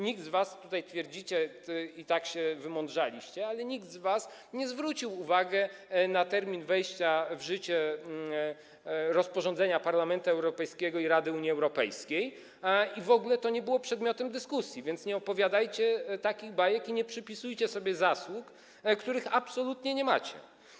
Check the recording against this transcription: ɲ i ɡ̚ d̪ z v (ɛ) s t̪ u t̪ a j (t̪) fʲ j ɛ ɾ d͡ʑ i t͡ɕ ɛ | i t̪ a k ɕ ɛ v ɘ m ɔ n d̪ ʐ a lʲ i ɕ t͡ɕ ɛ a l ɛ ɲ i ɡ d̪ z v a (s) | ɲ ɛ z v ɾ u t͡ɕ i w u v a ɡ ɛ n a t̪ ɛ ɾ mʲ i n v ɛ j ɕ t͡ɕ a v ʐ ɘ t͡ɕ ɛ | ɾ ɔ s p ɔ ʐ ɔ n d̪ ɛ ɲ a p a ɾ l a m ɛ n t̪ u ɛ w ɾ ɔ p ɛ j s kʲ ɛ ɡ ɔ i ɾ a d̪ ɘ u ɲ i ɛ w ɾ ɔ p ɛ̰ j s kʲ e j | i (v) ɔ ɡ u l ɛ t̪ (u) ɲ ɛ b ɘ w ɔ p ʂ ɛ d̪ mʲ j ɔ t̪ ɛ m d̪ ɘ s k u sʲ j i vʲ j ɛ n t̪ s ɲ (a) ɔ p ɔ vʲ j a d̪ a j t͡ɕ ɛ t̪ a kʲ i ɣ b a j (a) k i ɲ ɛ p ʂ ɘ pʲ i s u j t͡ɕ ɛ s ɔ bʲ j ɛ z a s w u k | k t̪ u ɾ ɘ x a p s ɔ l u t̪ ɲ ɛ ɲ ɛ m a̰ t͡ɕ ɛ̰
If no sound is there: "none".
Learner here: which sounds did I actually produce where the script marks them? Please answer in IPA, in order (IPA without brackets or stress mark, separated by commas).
a, t̪, s, v, ɔ, ɛ, ɛ